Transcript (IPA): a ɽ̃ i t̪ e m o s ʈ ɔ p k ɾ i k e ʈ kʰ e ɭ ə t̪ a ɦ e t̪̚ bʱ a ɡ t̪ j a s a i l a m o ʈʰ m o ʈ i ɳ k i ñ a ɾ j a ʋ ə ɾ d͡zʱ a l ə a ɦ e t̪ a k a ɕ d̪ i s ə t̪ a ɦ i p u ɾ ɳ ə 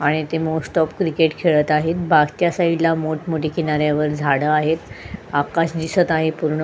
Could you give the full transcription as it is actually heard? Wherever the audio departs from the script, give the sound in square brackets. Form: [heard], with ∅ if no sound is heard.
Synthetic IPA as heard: a ɽ̃ i t̪ e m o s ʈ ɔ p k ɾ i k e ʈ kʰ e ɭ ə t̪ a ɦ e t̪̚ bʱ a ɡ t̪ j a s a i l a m o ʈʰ m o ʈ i [∅] k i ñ a ɾ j a ʋ ə ɾ d͡zʱ a [ɽ] ə a ɦ e t̪ a k a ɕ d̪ i s ə t̪ a ɦ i p u ɾ ɳ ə